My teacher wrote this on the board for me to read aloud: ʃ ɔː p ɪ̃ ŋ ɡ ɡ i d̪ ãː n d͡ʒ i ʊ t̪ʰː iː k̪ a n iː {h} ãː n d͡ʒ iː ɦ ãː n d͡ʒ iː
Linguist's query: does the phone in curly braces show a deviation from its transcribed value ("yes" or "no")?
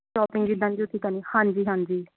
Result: no